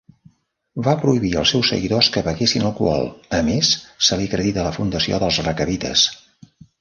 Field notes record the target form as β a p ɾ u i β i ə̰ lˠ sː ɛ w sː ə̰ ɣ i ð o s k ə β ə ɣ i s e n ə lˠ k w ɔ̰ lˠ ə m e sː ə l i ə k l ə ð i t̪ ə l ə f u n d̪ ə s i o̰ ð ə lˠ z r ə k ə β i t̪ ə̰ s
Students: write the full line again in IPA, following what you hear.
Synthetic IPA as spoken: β a p ɾ u i β i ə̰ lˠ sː ɛ w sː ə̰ ɣ i ð o s k ə β ə ɣ e s i n ə lˠ k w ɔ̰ lˠ ə m e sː ə l i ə k ɾ ə ð i t̪ ə l ə f u n d̪ ə s i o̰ ð ə lˠ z r ə k ə β i t̪ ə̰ s